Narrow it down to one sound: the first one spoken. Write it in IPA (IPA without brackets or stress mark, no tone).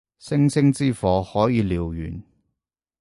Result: s